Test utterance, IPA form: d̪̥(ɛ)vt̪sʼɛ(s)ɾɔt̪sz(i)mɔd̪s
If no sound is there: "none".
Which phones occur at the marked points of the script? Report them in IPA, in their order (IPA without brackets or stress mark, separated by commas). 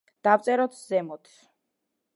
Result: a, none, ɛ